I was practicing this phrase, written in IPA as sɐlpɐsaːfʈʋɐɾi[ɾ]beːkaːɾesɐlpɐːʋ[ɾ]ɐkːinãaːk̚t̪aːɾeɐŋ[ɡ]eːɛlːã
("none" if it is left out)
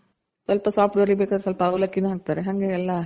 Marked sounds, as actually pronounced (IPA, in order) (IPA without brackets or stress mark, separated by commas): none, l, ɡ